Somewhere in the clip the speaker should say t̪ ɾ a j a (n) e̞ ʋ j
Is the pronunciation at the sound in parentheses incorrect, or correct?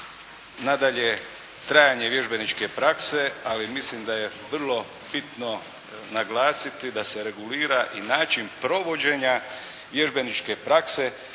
incorrect